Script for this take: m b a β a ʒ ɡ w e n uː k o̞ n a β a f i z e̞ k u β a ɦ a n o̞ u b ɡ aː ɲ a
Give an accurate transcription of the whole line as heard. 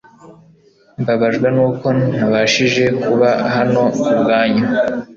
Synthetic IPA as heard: m b a β a ʒ ɡ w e n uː k o̞ n a β a ʃ i ʒ e̞ k u β a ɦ a n o̞ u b ɡ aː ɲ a